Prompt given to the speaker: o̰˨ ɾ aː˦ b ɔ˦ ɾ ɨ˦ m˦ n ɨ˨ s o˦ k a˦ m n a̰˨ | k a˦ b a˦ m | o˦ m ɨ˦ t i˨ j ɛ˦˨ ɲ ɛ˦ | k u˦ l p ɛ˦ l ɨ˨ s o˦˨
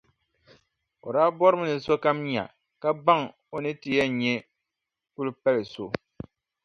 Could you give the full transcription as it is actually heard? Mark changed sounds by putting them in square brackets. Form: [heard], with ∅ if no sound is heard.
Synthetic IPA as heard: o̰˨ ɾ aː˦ b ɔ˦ ɾ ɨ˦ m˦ n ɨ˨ s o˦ k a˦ m [ɲ] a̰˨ | k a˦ b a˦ [ŋ] | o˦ [n] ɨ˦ t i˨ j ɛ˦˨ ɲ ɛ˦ | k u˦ l p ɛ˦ l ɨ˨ s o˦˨